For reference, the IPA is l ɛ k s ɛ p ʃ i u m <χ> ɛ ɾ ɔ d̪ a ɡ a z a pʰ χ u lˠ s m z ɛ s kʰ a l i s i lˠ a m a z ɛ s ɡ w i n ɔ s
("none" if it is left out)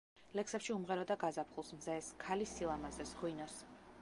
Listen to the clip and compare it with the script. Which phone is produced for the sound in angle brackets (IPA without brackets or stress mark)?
ʁ